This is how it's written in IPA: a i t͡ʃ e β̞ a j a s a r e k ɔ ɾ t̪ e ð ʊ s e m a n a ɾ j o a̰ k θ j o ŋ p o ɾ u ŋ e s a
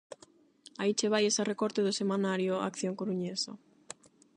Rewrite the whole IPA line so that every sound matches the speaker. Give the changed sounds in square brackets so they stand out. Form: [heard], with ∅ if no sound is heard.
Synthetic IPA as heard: a i t͡ʃ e β̞ a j [e] s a r e k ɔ ɾ t̪ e ð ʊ s e m a n a ɾ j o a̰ k θ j o ŋ [k] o ɾ u [ɲ] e s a